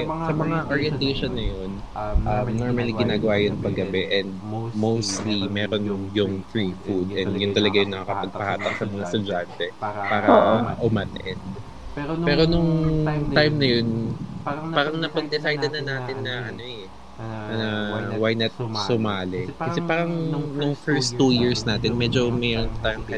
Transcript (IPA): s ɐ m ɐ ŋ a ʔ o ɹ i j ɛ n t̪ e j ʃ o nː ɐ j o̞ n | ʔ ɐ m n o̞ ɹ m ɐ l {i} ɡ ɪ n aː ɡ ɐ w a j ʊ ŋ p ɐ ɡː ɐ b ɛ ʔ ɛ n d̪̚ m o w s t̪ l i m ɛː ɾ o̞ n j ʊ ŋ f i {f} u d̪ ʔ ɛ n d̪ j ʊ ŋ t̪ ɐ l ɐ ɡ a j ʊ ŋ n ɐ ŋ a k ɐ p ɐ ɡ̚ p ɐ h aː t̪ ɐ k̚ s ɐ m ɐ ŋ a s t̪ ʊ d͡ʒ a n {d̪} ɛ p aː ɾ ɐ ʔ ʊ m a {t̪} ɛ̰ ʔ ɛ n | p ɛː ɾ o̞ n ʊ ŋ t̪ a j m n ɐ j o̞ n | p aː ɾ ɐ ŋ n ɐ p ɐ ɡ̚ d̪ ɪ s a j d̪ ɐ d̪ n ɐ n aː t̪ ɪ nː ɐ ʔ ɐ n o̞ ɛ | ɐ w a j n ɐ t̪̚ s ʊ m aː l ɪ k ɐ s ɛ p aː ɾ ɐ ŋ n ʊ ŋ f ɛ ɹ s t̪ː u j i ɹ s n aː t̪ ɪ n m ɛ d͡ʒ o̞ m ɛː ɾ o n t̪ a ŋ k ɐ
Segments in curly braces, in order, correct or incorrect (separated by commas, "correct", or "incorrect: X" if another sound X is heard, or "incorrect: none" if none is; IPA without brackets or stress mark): correct, correct, incorrect: t̪, correct